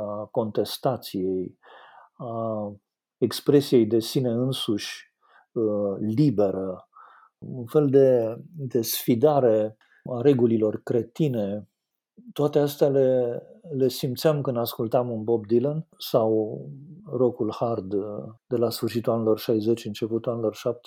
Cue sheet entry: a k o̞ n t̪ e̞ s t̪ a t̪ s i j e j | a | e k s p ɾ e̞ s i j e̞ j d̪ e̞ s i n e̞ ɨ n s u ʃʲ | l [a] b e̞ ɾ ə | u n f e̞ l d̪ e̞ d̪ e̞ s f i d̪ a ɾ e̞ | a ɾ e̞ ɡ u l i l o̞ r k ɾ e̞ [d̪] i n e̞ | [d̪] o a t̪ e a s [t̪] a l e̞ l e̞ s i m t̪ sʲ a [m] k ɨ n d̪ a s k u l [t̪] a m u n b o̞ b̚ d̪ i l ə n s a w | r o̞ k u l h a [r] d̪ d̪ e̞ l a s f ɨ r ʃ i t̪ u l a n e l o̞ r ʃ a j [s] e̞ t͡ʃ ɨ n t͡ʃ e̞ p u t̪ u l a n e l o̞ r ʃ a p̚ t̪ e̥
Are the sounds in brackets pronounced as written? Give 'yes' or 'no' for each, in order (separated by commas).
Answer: no, no, no, yes, yes, yes, yes, no